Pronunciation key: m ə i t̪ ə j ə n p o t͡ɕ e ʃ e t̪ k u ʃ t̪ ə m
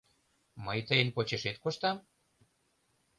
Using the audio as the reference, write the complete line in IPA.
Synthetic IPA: m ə j t̪ ə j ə n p o t͡ɕ e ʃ e t̪ k o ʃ t̪ ɑ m